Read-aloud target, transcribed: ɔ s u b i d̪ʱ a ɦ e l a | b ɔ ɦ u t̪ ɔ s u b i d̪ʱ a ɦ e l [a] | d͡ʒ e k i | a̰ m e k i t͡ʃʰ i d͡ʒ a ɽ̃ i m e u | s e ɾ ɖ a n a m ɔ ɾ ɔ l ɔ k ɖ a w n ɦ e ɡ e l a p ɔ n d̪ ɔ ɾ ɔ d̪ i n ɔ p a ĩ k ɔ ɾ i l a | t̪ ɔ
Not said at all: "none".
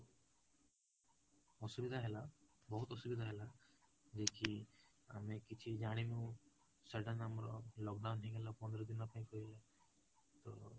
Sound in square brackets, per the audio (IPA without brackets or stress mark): a